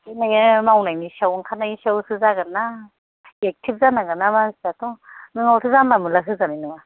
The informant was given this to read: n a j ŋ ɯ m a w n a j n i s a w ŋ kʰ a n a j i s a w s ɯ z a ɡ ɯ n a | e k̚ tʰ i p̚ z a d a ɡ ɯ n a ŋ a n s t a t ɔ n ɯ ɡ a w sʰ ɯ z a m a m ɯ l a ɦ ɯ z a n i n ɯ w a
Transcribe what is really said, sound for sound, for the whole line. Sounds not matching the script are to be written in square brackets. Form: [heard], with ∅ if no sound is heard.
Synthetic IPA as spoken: n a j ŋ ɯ m a w n a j n i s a w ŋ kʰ a n a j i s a w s ɯ z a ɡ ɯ n a | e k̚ tʰ i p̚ z a [n] a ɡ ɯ n a [m] a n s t a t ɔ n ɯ [ŋ] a w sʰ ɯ z a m a m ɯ l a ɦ ɯ z a n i n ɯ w a